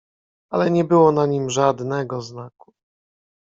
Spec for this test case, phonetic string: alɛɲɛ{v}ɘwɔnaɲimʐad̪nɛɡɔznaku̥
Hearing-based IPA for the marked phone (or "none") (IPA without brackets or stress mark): b